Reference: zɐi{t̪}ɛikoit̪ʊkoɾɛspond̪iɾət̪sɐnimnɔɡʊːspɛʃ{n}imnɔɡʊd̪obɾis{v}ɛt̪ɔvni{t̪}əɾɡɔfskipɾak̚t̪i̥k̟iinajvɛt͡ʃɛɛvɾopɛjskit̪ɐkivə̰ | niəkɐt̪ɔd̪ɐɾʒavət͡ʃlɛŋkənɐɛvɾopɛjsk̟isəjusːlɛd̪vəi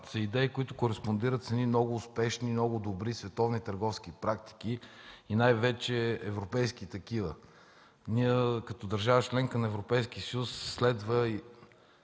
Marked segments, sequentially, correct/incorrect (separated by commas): incorrect, correct, correct, correct